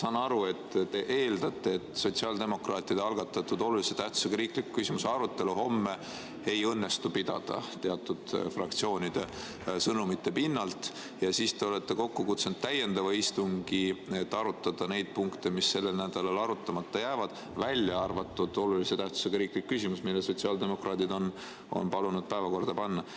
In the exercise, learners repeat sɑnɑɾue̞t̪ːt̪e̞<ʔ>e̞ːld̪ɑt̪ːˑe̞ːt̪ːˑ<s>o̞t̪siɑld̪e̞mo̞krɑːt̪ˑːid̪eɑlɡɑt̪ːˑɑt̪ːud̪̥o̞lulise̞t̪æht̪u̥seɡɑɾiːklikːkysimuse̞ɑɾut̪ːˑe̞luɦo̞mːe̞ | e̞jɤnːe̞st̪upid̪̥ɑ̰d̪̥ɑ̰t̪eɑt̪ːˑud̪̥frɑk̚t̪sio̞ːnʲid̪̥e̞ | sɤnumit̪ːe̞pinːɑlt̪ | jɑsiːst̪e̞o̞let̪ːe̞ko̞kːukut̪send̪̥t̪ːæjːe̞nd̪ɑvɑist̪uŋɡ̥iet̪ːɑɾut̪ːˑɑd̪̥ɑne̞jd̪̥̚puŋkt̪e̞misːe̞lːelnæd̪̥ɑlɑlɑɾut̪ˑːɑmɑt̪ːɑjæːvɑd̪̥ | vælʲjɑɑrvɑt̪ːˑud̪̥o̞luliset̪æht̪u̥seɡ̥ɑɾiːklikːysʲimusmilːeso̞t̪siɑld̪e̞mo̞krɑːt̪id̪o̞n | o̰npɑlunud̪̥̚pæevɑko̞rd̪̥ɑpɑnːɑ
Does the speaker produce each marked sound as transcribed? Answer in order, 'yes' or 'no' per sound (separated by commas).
yes, yes